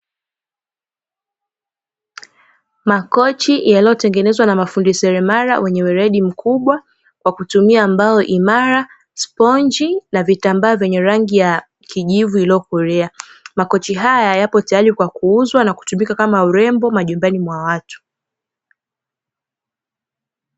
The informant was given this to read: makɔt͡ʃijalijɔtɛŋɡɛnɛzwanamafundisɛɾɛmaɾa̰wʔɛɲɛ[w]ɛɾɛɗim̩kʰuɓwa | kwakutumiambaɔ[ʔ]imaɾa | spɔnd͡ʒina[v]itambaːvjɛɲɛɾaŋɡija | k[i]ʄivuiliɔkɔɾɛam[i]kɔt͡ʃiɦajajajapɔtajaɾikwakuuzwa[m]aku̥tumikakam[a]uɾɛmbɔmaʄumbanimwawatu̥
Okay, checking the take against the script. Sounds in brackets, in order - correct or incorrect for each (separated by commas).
correct, correct, correct, correct, incorrect, incorrect, correct